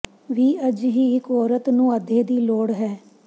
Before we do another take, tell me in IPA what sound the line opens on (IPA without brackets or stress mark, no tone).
ʋ